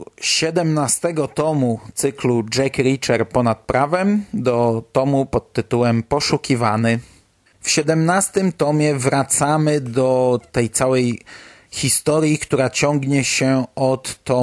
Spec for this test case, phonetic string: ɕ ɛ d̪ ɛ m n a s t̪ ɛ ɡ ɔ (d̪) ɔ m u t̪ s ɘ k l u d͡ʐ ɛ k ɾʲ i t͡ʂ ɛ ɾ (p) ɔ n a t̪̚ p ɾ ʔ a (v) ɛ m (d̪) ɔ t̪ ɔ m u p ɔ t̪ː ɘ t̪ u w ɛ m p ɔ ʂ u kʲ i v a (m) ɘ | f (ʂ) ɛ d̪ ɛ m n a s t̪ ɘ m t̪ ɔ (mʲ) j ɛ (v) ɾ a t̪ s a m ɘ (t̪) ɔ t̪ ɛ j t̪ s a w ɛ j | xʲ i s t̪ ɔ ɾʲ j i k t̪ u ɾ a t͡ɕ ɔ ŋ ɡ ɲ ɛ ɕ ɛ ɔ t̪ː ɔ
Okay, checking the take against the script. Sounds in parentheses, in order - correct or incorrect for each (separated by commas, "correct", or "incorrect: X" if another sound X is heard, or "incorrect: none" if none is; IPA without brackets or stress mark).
incorrect: t̪, correct, correct, correct, incorrect: n, incorrect: ɕ, correct, correct, incorrect: d̪